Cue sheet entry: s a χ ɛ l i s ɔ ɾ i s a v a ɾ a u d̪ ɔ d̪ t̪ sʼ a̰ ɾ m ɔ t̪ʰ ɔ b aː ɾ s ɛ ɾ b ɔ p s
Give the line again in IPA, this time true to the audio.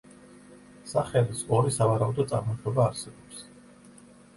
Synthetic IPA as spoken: s a χ ɛ l i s ɔ ɾ i s a v a ɾ a u d̪ ɔ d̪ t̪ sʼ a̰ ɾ m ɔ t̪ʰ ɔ b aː ɾ s ɛ b ɔ p s